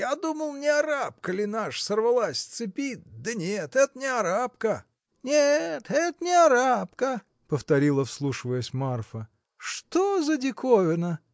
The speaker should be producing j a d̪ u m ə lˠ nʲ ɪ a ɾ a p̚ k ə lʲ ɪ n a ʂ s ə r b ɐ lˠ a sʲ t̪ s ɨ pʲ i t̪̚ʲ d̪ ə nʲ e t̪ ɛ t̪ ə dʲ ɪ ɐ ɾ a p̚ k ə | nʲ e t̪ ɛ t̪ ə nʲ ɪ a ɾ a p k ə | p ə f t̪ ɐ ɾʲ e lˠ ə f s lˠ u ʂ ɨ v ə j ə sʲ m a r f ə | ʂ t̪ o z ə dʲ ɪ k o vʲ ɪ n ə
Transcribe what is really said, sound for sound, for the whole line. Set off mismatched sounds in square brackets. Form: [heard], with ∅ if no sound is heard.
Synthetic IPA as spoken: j a d̪ u m ə lˠ nʲ ɪ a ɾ a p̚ k ə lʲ ɪ n a ʂ s ə r [v] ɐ lˠ a sʲ t̪ s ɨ pʲ i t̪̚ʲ d̪ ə nʲ e t̪ ɛ t̪ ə [nʲ] ɪ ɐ ɾ a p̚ k ə | nʲ e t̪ ɛ t̪ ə nʲ ɪ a ɾ a p k ə | p ə f t̪ ɐ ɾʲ [i] lˠ ə f s lˠ u ʂ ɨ v ə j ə sʲ m a r f ə | ʂ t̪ o z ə dʲ ɪ k o vʲ ɪ n ə